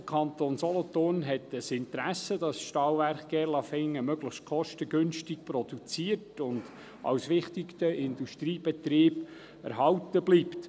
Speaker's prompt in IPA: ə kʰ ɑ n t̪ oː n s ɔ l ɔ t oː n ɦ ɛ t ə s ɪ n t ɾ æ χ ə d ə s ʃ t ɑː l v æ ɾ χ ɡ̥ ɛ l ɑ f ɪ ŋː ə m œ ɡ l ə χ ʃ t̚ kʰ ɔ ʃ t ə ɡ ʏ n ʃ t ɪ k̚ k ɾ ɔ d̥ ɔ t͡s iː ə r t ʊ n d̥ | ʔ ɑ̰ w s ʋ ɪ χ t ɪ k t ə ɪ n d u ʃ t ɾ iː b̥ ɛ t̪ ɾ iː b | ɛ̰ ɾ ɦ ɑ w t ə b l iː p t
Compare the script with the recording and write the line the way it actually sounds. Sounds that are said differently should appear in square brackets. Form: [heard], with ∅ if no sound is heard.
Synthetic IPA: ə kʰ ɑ n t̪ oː n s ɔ l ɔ t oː n ɦ ɛ t ə s ɪ n t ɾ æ [s] ə d [ɑ] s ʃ t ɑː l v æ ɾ χ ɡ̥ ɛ l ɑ f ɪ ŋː ə m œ ɡ l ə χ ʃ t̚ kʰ ɔ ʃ t ə ɡ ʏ n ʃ t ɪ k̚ [p] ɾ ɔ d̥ [u] t͡s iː ə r t ʊ n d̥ | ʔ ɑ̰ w s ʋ ɪ χ t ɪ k t ə ɪ n d u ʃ t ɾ iː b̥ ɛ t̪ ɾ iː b | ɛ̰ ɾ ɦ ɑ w t ə b l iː p t